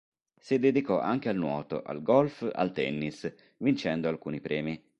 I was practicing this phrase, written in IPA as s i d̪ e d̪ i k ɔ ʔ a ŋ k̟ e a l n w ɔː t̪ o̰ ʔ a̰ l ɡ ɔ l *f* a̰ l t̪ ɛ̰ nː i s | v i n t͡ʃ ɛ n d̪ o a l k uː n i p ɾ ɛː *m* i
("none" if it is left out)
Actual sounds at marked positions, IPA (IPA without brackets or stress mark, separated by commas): f, m